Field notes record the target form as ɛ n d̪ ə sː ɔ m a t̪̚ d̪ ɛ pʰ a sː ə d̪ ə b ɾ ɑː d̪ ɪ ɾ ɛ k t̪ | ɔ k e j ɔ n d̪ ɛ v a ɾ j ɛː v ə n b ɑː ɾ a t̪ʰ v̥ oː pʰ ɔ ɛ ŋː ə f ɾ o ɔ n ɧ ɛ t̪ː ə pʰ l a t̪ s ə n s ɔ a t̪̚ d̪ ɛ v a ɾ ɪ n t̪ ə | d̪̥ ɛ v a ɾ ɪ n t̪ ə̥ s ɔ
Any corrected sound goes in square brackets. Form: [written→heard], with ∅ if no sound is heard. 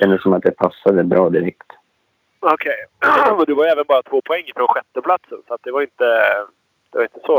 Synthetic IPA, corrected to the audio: ɛ n d̪ ə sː ɔ m a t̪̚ d̪ ɛ pʰ a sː [ə→a] d̪ ə b ɾ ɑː d̪ ɪ ɾ ɛ k t̪ | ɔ [k→kʰ] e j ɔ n d̪ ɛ v a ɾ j ɛː v ə n b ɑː ɾ a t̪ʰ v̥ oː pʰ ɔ ɛ ŋː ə f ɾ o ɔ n ɧ ɛ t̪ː ə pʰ l a t̪ s ə n s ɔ a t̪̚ d̪ ɛ v a ɾ ɪ n t̪ ə | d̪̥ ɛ v a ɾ ɪ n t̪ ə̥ s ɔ